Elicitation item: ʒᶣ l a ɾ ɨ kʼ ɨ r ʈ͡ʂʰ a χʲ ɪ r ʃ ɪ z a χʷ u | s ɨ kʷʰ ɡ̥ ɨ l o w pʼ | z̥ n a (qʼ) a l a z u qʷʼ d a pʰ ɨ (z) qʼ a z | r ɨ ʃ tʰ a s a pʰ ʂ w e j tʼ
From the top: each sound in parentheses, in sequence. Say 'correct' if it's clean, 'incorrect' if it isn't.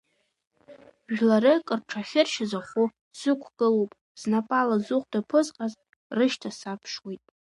incorrect, correct

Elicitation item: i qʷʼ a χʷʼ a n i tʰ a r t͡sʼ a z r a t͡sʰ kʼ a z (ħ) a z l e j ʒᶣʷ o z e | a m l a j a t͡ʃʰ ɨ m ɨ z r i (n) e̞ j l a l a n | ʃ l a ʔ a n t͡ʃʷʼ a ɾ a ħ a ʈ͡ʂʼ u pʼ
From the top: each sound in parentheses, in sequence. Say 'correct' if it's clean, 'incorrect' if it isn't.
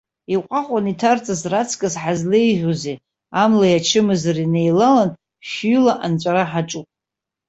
correct, correct

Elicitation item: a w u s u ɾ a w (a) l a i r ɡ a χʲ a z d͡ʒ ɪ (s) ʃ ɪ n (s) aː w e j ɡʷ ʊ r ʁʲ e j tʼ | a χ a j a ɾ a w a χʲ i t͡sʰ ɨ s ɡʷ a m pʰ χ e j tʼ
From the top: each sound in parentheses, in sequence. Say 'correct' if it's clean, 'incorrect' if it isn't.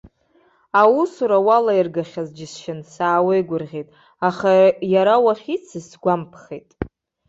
correct, correct, correct

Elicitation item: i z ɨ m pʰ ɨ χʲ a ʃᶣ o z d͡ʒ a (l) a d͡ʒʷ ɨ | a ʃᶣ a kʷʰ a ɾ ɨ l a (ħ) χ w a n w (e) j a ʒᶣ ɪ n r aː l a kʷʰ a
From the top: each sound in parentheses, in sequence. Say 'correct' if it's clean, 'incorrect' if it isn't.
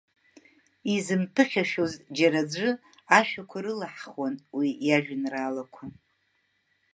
incorrect, correct, incorrect

